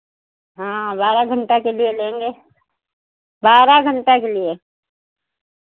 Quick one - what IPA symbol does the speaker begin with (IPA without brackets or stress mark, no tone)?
ɦ